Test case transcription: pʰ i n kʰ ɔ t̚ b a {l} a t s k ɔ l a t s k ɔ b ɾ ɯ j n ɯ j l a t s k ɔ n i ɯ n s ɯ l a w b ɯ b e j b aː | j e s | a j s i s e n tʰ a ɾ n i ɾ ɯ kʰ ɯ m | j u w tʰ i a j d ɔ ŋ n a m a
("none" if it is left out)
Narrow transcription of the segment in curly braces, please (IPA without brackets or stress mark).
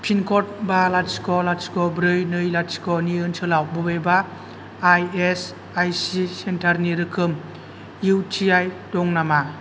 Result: l